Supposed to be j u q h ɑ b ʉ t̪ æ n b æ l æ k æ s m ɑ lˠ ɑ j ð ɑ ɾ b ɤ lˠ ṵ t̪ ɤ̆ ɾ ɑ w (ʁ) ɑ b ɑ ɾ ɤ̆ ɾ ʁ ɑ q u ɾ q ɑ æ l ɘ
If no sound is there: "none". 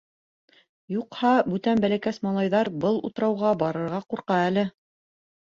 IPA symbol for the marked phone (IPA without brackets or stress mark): ʁ